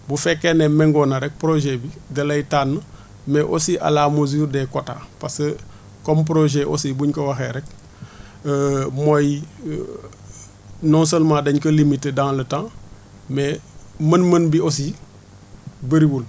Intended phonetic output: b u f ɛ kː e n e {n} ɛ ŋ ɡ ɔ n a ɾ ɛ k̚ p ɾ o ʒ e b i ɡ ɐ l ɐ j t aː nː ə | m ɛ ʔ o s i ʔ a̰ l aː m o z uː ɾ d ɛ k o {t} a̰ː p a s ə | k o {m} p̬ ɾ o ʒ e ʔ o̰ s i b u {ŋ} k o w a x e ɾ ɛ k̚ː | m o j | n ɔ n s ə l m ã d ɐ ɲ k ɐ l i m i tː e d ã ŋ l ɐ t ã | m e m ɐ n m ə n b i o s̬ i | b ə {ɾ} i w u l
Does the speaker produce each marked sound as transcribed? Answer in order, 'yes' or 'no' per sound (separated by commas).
no, yes, yes, no, yes